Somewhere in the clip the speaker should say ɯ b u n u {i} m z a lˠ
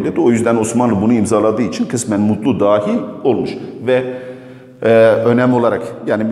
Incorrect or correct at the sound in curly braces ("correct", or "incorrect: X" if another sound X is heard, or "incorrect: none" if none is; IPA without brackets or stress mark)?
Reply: correct